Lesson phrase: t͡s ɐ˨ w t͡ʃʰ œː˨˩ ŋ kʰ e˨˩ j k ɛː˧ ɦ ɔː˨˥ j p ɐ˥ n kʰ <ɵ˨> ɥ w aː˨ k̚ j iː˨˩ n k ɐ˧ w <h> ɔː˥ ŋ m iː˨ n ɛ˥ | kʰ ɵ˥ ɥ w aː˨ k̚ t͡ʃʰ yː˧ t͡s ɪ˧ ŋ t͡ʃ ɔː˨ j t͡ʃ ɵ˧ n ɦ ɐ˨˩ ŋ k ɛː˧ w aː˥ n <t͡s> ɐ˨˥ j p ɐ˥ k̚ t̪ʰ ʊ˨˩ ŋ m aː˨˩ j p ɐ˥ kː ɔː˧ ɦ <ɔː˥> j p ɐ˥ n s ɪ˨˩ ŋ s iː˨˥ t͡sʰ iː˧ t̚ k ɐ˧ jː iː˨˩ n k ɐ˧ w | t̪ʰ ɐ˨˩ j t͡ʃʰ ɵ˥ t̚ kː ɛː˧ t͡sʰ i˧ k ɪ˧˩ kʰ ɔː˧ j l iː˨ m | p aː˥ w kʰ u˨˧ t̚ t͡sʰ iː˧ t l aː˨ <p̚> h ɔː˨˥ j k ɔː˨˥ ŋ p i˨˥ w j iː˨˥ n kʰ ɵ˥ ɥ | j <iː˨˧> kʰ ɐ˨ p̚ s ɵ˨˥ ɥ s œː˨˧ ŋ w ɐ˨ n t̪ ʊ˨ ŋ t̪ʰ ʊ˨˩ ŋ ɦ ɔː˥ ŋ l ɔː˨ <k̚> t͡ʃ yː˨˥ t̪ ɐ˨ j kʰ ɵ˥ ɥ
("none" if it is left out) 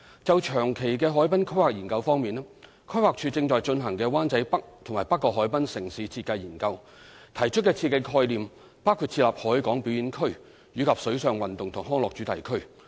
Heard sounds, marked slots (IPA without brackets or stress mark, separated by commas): ɵ˥, f, t͡s, ɔː˨˥, p̚, yː˨˧, k̚